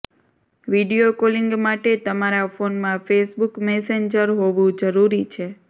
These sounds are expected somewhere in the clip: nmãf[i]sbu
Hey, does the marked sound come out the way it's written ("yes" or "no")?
no